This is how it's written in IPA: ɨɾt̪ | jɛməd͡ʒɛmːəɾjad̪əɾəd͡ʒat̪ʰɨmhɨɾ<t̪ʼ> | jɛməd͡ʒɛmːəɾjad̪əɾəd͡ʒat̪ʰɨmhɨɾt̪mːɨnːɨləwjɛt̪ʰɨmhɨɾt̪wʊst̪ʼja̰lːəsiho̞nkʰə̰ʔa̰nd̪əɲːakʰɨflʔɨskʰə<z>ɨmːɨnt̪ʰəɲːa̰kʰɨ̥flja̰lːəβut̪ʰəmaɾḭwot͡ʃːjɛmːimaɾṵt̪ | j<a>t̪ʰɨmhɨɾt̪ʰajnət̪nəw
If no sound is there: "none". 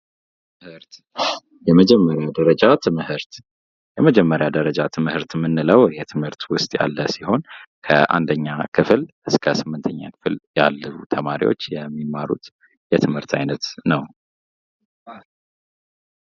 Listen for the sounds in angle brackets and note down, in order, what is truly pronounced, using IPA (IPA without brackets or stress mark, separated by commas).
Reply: t̪, s, ɛ